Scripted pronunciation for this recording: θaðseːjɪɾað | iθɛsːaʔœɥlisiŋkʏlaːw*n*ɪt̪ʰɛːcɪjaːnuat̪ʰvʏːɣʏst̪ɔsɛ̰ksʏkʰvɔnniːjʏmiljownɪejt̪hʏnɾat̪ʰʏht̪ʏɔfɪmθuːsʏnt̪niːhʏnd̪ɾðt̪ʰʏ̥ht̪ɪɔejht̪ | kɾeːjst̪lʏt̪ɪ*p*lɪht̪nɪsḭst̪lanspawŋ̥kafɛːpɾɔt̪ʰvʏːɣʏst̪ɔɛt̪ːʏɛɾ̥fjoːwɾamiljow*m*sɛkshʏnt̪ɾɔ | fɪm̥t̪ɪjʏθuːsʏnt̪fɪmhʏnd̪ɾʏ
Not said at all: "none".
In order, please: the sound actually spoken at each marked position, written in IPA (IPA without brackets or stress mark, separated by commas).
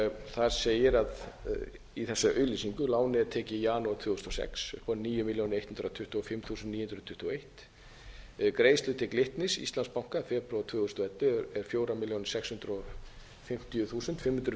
n, k, n